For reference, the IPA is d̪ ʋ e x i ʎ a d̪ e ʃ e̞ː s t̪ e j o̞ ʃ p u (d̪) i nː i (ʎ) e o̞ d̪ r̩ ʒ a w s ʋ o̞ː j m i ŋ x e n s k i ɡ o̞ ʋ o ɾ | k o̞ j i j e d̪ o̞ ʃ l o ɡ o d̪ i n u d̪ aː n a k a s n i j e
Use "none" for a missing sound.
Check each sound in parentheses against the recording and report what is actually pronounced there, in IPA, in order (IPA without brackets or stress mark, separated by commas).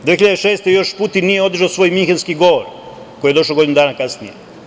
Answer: t̪, j